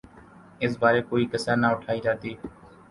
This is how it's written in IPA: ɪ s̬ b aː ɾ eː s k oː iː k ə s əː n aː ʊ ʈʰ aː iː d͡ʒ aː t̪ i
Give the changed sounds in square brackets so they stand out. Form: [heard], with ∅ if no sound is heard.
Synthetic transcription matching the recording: ɪ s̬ b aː ɾ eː [∅] k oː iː k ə s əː n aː ʊ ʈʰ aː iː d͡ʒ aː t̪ [iː]